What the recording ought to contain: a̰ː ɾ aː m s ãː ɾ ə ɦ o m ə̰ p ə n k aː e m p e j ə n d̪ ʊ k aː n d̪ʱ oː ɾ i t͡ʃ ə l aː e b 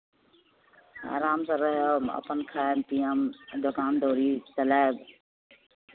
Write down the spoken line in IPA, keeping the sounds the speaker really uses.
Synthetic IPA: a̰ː ɾ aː m s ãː ɾ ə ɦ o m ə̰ p ə n kʰ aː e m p i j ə m d̪ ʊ k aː n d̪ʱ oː ɾ i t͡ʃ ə l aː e b

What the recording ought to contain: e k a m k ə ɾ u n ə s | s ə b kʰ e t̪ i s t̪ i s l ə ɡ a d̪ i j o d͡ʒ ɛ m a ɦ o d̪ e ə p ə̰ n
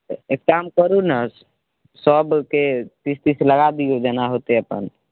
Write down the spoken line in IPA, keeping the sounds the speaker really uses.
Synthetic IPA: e k a m k ə ɾ u n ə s | s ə b k e t̪ i s t̪ i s l ə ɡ a d̪ i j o d͡ʒ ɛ n a ɦ o t̪ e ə p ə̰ n

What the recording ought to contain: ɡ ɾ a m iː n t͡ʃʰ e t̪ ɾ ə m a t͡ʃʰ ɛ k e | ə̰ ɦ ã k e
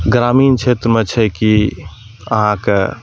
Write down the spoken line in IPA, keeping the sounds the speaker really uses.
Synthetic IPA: ɡ ɾ a m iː n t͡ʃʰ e t̪ ɾ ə m e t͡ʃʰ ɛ k i | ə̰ ɦ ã k e

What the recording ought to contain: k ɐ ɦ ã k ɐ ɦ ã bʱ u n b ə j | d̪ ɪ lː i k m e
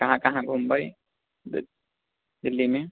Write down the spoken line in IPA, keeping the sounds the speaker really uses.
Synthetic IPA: k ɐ ɦ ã k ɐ ɦ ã ɡʱ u m b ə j | d̪ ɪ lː i m e

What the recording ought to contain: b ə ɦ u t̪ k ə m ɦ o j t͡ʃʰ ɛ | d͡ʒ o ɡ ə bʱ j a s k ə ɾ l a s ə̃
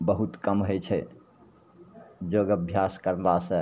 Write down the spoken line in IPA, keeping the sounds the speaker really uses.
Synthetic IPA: b ə ɦ u t̪ k ə m ɦ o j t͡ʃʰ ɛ | d͡ʒ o ɡ ə bʱ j a s k ə ɾ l a s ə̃

